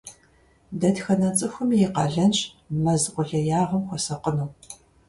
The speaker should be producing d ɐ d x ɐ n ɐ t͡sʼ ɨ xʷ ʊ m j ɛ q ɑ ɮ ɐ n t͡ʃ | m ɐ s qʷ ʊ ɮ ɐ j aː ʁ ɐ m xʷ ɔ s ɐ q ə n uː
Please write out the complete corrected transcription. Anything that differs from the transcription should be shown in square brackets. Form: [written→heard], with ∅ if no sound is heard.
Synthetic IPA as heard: d ɐ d x ɐ n ɐ t͡sʼ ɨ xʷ ʊ m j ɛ q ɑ ɮ ɐ n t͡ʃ | m ɐ [s→z] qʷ ʊ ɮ ɐ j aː ʁ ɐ m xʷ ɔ s ɐ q ə n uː